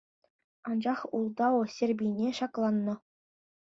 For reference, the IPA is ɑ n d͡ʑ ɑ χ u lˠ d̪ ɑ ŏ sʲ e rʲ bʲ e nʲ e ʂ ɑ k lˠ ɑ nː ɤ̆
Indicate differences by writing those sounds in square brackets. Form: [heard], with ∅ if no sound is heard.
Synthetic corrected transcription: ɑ n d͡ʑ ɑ χ u lˠ d̪ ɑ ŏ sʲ e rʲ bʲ [i] nʲ e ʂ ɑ k lˠ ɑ nː ɤ̆